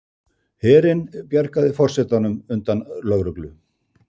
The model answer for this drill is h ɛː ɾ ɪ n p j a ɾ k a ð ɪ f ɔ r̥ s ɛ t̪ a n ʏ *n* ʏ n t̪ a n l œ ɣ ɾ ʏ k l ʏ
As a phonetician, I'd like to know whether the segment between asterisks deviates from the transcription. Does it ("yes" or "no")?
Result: yes